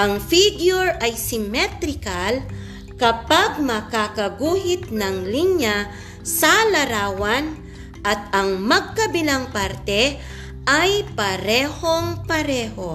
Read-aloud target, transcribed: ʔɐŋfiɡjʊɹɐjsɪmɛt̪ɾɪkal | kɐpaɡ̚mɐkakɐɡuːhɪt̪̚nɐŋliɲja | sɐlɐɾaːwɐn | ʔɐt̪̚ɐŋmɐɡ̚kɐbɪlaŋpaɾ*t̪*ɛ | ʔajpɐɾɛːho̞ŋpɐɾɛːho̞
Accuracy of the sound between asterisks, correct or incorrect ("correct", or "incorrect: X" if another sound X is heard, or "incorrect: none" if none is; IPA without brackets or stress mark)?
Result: correct